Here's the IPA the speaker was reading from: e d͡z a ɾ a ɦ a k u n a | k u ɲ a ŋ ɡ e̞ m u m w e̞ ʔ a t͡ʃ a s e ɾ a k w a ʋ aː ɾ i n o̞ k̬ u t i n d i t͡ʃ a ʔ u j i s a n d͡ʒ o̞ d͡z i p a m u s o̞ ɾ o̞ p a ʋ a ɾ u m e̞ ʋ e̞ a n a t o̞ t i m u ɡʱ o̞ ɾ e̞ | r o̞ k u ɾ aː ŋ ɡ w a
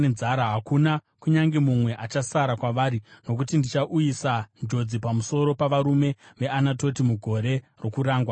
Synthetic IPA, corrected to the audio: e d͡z a ɾ a ɦ a k u n a | k u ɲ a ŋ ɡ e̞ m u m w e̞ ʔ a t͡ʃ a s a ɾ a k w a ʋ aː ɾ i n o̞ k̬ u t i n d i t͡ʃ a ʔ u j i s a n d͡ʒ o̞ d͡z i p a m u s o̞ ɾ o̞ p a ʋ a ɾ u m e̞ ʋ e̞ a n a t o̞ t i m u ɡʱ o̞ ɾ e̞ | r o̞ k u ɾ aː ŋ ɡ w a

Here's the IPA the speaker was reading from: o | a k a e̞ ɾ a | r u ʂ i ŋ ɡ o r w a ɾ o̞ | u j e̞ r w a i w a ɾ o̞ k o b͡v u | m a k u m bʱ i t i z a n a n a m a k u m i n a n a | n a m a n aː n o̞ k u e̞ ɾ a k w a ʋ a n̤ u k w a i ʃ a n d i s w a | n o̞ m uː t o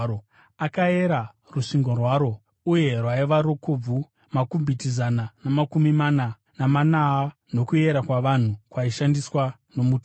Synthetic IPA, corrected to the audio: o | a k a e̞ ɾ a | r u ʂ i ŋ ɡ o r w a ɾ o̞ | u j e̞ r w a i ʋ a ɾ o̞ k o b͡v u | m a k u m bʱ i t i z a n a n a m a k u m i m a n a | n a m a n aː n o̞ k u e̞ ɾ a k w a ʋ a n̤ u k w a i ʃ a n d i s w a | n o̞ m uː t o

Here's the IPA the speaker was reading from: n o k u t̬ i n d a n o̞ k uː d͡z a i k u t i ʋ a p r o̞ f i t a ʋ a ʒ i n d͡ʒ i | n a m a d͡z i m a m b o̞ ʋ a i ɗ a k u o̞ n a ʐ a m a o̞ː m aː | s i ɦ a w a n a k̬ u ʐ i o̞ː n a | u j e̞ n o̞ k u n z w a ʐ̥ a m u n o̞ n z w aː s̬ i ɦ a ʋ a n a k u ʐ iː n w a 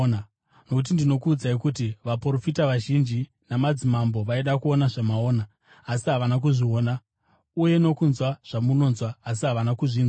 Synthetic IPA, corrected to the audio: n o k u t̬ i n d i n o̞ k uː d͡z a i k u t i ʋ a p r o̞ f i t a ʋ a ʒ i n d͡ʒ i | n a m a d͡z i m a m b o̞ ʋ a i ɗ a k u o̞ n a ʐ a m a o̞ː n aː | s i ɦ a ʋ a n a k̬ u ʐ i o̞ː n a | u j e̞ n o̞ k u n z w a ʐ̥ a m u n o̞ n z w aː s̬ i ɦ a ʋ a n a k u ʐ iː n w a

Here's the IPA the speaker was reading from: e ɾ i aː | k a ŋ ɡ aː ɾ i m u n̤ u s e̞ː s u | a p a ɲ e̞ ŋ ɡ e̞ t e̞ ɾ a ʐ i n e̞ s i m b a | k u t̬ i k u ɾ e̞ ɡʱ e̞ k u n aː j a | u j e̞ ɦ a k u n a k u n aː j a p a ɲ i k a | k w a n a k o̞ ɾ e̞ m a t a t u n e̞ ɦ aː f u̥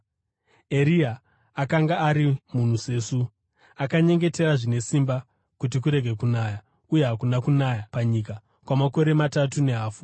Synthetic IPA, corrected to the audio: e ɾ i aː | k a ŋ ɡ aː ɾ i m u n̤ u s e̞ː s u | a k a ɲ e̞ ŋ ɡ e̞ t e̞ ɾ a ʐ i n e̞ s i m b a | k u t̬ i k u ɾ e̞ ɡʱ e̞ k u n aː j a | u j e̞ ɦ a k u n a k u n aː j a p a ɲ i k a | k w a m a k o̞ ɾ e̞ m a t a t u n e̞ ɦ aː f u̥

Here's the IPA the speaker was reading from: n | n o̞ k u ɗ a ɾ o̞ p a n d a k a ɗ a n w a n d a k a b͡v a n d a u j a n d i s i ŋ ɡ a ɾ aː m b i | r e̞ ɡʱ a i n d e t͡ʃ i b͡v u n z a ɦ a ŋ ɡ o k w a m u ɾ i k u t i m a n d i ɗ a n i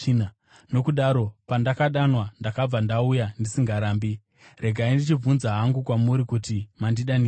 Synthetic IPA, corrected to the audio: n | n o̞ k u ɗ a ɾ o̞ p a n d a k a ɗ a n w a n d a k a b͡v a n d a u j a n d i s i ŋ ɡ a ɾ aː m b i | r e̞ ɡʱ a i n d i t͡ʃ i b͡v u n z a ɦ a ŋ ɡ u k w a m u ɾ i k u t i m a n d i ɗ a n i

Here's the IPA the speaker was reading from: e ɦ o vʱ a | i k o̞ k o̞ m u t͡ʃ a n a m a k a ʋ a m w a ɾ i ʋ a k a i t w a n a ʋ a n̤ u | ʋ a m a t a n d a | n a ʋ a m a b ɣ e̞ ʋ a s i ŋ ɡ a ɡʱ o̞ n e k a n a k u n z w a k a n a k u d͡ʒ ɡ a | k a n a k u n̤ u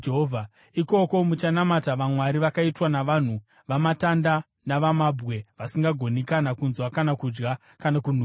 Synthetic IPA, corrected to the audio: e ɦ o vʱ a | i k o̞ k o̞ m u t͡ʃ a n a m a t a ʋ a m w a ɾ i ʋ a k a i t w a n a ʋ a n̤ u | ʋ a m a t a n d a | n a ʋ a m a b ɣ e̞ ʋ a s i ŋ ɡ a ɡʱ o̞ n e k a n a k u n z w a k a n a k u d͡ʒ ɡ a | k a n a k u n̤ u

